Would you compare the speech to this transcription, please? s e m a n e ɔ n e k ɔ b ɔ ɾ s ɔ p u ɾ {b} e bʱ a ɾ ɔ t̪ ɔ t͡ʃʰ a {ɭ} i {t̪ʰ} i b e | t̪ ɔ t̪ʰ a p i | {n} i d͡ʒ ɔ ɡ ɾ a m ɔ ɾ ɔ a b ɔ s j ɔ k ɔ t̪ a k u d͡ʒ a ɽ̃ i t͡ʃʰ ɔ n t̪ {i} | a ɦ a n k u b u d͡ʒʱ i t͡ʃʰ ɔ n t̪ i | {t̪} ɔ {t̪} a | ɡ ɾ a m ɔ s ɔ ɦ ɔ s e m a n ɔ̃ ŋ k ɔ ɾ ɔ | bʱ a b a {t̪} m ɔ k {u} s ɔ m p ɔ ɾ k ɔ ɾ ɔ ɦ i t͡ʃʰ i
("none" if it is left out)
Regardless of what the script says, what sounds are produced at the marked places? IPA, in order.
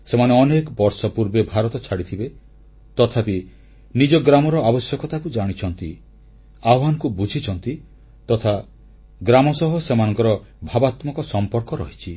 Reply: b, ɽ, t̪ʰ, n, i, t̪, t̪ʰ, t̪, ɔ

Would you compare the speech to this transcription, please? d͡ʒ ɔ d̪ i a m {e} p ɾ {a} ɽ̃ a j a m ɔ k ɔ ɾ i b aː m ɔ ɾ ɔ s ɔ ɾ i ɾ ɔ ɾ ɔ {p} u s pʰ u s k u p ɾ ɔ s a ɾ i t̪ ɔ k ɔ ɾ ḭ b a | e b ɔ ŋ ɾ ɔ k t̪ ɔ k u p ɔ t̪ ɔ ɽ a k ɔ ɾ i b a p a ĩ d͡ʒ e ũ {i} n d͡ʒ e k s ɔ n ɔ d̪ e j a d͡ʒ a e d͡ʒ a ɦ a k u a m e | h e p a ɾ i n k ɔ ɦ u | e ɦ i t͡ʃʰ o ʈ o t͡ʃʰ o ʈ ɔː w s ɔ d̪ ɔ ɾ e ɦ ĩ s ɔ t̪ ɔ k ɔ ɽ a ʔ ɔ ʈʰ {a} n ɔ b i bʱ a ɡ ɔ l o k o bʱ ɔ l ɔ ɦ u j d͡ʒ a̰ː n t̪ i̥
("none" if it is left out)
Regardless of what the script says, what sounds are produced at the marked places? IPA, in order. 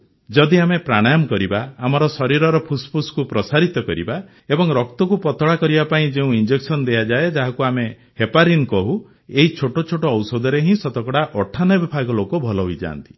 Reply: e, a, pʰ, i, a

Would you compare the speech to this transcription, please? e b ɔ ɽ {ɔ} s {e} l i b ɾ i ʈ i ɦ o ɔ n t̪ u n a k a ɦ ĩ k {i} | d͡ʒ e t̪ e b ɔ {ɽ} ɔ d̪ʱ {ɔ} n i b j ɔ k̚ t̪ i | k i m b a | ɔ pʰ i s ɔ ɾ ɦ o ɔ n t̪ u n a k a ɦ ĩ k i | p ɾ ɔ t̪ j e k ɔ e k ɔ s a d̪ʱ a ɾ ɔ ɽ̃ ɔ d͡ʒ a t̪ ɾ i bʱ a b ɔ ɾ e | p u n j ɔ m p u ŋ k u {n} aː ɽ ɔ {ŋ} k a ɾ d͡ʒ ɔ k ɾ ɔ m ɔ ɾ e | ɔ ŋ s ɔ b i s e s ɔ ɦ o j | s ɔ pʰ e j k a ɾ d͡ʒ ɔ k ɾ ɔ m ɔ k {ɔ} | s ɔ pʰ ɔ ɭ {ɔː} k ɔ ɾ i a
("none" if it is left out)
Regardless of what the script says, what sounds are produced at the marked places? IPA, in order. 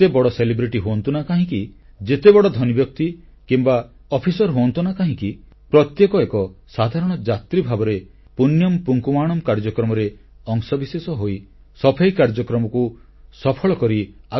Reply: ɔ, e, i, ɽ, ɔ, m, m, u, ɔ

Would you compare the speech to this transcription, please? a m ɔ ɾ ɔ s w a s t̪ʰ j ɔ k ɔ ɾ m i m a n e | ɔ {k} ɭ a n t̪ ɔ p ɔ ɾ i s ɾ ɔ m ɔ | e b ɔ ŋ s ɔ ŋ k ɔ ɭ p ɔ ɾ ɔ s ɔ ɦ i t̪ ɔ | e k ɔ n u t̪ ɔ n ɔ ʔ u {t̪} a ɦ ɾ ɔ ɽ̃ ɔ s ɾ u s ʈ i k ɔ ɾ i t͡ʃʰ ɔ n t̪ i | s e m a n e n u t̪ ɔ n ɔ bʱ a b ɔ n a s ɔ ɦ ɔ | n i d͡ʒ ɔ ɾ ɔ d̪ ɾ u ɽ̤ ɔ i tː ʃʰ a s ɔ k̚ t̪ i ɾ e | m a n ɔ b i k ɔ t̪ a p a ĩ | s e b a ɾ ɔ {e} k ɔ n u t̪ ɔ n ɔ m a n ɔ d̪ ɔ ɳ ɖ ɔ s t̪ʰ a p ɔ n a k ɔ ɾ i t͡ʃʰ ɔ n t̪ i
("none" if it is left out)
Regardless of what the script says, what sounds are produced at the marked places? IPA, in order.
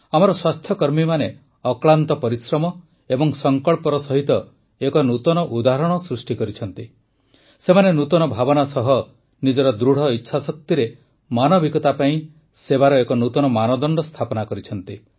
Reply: k, d̪, e

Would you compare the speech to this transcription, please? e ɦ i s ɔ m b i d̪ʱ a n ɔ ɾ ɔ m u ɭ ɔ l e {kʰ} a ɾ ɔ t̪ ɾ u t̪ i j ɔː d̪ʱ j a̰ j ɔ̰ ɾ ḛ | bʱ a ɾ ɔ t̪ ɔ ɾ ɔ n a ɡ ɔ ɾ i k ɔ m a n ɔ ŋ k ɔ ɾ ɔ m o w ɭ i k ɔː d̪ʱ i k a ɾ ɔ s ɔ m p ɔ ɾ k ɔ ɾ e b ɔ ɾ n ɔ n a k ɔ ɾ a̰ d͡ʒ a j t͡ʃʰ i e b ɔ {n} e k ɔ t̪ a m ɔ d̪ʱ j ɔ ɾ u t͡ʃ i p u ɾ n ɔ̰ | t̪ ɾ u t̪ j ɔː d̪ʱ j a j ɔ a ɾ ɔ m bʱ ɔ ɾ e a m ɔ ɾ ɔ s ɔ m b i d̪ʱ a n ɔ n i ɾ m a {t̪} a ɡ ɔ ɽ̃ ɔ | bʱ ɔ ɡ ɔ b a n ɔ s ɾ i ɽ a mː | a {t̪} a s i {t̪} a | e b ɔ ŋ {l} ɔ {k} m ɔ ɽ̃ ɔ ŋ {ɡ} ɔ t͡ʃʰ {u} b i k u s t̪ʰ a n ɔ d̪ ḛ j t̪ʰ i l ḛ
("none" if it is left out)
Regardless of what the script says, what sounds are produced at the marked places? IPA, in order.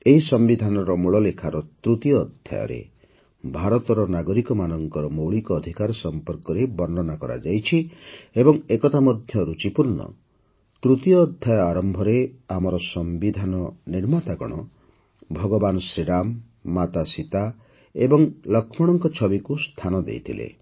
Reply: kʰ, ŋ, t̪, t̪, t̪, l, kʰ, k, ɔ

